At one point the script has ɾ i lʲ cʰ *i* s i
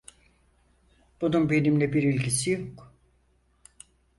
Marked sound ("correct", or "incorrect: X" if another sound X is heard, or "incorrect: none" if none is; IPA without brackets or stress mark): correct